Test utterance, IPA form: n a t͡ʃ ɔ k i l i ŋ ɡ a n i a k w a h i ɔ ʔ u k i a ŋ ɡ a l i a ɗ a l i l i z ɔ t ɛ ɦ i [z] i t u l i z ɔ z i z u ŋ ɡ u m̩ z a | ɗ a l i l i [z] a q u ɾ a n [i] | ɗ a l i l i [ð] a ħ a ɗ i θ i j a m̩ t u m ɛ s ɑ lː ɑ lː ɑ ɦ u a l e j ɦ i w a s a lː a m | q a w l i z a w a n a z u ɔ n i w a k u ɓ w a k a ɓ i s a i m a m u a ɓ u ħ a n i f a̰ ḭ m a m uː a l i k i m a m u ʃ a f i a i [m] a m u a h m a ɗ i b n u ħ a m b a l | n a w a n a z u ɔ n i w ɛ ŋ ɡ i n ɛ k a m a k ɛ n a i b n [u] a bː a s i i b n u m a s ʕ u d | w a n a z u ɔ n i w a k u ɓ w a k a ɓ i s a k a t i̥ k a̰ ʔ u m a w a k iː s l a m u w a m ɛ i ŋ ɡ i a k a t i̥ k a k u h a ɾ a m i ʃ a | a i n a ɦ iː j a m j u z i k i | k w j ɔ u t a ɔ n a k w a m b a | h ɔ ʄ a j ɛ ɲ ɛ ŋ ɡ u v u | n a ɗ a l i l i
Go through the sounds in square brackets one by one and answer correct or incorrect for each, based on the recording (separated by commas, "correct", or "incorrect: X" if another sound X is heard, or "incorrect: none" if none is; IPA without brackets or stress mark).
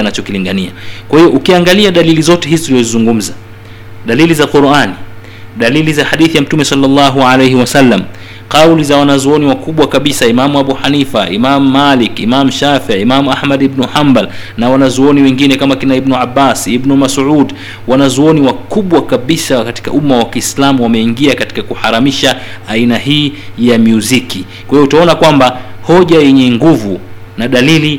correct, correct, correct, incorrect: z, correct, correct